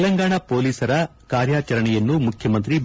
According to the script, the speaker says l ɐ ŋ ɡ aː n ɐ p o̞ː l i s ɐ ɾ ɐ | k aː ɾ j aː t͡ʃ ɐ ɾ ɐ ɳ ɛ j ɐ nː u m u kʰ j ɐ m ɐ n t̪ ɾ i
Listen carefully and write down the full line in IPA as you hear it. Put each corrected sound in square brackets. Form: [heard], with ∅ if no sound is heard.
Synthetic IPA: l ɐ ŋ ɡ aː [ɳ] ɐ p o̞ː l [iː] s ɐ ɾ ɐ | k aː ɾ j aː t͡ʃ ɐ ɾ ɐ ɳ ɛ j ɐ nː u m u kʰ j ɐ m ɐ n t̪ ɾ i